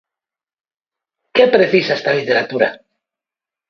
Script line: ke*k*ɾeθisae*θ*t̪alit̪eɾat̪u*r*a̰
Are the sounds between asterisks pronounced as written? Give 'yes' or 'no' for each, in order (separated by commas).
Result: no, no, no